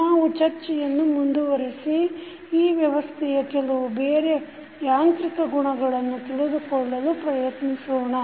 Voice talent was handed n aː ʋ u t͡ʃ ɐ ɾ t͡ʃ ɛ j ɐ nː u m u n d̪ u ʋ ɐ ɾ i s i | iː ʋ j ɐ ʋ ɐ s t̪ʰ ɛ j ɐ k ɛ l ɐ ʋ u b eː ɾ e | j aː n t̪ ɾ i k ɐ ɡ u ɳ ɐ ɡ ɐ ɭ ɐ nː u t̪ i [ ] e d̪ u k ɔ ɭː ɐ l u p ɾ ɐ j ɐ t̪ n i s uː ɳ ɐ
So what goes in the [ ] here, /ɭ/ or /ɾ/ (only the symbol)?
ɭ